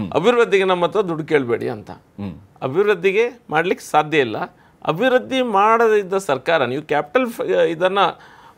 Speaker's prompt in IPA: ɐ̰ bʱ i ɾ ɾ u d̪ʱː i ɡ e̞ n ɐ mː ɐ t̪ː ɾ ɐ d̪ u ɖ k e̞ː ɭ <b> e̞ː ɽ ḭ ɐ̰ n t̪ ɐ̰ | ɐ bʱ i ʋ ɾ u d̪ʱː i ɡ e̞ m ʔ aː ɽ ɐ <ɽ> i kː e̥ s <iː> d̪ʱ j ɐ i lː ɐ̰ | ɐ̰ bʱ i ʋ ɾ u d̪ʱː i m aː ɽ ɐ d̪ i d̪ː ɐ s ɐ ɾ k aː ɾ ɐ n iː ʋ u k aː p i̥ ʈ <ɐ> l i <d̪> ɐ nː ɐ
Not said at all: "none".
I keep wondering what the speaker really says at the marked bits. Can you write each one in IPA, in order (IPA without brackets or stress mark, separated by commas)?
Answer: b, l, aː, ɐ, d̪